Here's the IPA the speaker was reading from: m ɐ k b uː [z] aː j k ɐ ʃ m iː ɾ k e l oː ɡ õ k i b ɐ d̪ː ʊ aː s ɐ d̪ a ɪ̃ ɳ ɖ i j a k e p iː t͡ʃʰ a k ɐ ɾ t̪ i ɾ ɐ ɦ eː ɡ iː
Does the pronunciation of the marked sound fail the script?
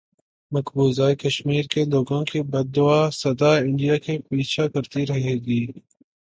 no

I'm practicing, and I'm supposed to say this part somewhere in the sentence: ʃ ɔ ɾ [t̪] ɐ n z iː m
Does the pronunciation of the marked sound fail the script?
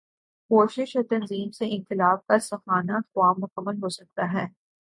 no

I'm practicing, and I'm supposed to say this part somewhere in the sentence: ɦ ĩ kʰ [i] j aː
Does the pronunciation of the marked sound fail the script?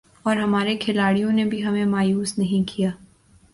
no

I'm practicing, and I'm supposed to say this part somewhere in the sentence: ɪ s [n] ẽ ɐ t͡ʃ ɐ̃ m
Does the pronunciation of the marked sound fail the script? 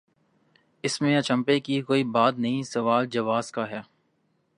yes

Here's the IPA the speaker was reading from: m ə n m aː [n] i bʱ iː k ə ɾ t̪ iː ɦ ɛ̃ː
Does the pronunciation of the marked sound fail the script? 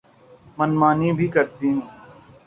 no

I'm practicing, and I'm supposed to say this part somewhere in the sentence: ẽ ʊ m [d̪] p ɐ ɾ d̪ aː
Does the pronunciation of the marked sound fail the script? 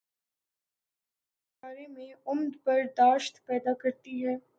no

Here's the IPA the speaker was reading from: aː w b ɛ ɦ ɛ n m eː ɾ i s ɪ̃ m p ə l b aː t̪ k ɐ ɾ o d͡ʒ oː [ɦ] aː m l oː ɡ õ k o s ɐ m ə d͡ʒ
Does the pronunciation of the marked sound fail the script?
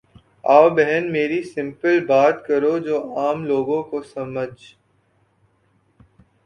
yes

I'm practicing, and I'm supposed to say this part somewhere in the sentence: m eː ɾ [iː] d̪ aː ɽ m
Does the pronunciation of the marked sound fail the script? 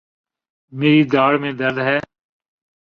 no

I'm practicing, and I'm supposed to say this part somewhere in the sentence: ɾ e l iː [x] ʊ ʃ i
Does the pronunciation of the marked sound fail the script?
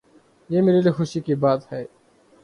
no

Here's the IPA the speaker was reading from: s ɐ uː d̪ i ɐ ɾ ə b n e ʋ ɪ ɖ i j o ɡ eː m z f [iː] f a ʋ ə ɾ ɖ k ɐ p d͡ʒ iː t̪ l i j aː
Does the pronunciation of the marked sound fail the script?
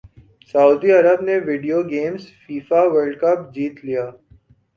no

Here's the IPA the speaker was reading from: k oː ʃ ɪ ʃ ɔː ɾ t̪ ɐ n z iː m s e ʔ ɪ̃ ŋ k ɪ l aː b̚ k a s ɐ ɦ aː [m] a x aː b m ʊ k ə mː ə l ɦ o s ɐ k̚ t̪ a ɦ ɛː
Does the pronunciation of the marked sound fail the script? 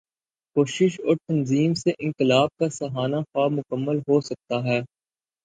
yes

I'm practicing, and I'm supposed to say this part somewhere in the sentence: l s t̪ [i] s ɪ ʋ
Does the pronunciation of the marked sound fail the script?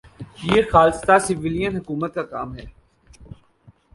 yes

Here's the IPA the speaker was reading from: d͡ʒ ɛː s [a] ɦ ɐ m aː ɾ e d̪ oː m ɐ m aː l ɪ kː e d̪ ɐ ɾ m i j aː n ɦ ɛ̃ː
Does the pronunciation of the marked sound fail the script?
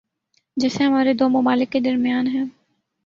yes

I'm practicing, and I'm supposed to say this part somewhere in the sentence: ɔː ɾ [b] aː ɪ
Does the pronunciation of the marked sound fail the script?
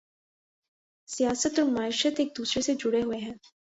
yes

